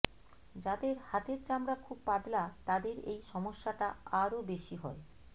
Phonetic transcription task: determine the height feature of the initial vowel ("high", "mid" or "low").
low